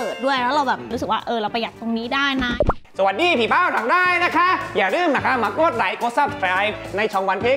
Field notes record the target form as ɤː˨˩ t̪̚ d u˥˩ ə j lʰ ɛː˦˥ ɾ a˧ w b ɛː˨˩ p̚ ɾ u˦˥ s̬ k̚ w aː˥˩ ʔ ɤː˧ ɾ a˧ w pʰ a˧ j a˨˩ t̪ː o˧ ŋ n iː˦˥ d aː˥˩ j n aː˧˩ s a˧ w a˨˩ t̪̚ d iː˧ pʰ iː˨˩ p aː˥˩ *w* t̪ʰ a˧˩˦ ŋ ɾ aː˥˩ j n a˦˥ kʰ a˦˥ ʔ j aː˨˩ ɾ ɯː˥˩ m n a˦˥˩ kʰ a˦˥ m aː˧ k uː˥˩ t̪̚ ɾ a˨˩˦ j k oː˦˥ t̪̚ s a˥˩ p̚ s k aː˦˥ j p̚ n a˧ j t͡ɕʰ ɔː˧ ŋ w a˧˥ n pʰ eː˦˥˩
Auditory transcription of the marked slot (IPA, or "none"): w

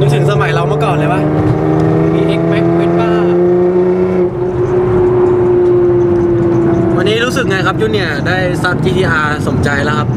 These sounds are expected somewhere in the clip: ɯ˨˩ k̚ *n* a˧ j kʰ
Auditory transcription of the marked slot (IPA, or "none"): ŋ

